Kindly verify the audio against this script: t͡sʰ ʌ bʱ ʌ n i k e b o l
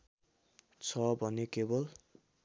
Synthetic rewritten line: t͡sʰ ʌ bʱ ʌ n e k e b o l